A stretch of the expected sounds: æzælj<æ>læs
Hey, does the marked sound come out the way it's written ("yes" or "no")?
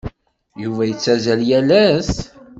yes